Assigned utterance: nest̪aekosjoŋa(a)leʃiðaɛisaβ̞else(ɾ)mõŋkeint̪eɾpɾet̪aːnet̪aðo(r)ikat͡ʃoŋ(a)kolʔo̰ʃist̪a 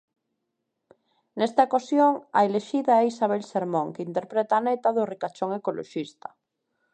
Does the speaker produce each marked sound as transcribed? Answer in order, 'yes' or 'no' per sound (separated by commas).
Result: no, yes, yes, no